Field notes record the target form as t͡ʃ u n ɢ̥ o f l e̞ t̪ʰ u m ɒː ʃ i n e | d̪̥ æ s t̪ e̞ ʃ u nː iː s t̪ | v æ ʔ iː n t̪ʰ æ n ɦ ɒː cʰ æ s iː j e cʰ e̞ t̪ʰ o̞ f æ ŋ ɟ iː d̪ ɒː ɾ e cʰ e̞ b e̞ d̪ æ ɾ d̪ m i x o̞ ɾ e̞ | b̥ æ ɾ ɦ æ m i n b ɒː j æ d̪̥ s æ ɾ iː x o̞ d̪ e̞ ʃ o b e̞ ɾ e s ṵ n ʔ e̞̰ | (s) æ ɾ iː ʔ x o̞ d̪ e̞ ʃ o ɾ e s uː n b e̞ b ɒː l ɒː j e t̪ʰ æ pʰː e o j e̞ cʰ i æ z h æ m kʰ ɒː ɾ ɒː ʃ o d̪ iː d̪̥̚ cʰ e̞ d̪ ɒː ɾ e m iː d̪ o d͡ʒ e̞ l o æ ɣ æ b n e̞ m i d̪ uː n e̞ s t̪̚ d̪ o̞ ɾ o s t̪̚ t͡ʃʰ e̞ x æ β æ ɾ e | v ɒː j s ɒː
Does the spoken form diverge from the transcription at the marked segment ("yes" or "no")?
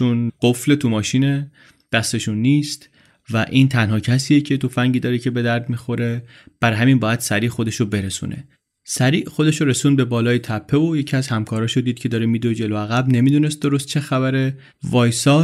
no